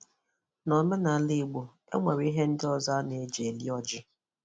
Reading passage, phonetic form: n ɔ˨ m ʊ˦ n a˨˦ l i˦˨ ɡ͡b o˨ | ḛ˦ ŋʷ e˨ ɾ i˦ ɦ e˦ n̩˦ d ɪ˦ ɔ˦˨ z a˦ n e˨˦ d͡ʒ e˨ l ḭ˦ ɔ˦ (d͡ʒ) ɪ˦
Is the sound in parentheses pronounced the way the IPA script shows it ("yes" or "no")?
yes